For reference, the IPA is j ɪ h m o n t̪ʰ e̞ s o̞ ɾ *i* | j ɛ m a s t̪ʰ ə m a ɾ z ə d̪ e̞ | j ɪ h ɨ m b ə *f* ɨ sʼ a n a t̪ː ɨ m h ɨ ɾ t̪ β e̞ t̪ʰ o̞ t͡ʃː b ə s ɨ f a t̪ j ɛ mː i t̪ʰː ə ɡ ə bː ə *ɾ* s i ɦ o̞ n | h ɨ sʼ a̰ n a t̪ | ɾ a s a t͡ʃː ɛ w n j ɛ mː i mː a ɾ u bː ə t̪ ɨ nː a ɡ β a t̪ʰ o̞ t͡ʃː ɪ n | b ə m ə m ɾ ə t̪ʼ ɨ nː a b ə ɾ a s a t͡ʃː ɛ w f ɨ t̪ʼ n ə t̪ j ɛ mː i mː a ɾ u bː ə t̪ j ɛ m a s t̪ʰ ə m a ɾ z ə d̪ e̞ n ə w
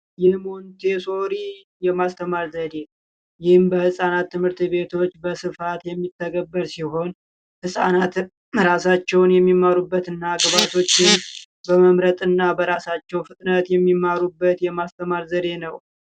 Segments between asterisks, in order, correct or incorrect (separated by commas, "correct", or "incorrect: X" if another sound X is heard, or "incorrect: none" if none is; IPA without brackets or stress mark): correct, incorrect: h, correct